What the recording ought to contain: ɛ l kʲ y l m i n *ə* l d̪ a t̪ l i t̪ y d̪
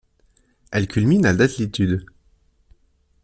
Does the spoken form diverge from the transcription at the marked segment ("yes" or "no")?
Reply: yes